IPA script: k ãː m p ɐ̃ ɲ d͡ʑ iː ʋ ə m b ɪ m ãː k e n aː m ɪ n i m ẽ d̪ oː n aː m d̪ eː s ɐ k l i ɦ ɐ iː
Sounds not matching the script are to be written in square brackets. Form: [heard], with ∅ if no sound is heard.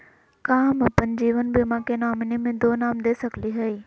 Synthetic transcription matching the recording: k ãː m p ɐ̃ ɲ d͡ʑ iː ʋ ə [n] b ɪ m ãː k e n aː m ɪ n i m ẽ d̪ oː n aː m d̪ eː s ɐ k l i ɦ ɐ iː